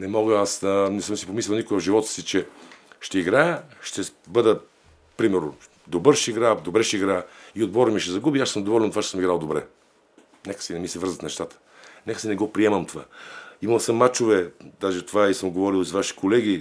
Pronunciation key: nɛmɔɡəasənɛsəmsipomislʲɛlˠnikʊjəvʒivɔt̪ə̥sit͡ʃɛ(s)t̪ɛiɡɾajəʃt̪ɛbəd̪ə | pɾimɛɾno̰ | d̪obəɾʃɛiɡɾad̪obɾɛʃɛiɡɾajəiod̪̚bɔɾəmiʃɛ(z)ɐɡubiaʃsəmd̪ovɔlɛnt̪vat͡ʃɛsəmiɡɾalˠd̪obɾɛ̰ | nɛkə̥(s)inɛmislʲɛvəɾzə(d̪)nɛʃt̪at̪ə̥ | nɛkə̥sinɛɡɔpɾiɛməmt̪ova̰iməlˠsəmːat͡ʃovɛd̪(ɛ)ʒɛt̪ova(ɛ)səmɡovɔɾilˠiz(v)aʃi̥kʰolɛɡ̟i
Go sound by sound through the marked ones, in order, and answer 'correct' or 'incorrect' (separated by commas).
incorrect, correct, correct, incorrect, incorrect, incorrect, correct